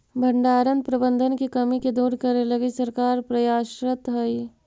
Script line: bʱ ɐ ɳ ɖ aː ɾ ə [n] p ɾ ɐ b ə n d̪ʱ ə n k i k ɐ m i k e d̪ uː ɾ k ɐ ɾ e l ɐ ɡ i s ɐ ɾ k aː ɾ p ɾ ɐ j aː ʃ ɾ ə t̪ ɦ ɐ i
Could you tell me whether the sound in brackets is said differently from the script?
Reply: no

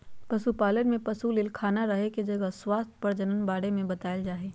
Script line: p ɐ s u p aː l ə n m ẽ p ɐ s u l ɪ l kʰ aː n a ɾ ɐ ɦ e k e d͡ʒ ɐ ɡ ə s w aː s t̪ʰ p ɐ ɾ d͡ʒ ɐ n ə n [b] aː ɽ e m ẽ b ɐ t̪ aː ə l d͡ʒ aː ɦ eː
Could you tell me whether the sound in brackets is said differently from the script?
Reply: no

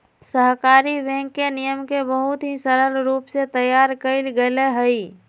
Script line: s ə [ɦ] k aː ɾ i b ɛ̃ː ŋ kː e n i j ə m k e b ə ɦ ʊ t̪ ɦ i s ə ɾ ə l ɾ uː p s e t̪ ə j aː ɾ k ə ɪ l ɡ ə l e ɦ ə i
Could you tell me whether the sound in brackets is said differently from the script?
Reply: no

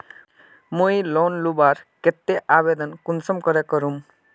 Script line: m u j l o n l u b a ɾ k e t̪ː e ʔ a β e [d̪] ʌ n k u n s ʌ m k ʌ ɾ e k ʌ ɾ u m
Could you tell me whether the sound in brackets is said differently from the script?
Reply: no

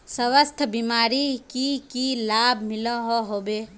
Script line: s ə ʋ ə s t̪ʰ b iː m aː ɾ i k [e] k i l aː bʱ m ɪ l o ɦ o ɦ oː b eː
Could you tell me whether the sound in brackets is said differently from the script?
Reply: yes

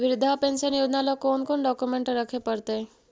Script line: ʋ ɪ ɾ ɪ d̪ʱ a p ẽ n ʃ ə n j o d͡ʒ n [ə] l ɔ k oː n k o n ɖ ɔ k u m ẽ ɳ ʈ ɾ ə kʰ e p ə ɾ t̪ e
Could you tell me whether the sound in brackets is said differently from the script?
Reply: yes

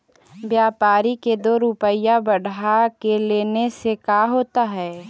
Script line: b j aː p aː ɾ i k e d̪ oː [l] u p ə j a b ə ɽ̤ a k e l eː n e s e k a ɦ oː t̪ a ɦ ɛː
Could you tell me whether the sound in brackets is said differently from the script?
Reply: yes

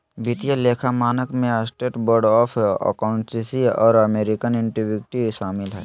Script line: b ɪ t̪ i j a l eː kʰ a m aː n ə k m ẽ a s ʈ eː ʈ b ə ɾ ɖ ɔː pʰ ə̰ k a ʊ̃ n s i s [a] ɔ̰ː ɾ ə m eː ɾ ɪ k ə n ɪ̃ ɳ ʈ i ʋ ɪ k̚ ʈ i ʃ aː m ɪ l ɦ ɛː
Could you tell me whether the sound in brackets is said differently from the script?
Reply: yes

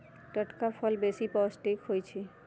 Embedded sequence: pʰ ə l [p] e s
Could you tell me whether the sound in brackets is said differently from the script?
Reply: yes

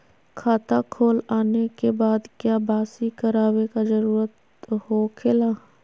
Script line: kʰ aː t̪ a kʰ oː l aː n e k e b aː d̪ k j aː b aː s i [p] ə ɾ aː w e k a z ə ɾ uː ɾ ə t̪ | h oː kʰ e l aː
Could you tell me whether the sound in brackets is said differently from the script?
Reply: yes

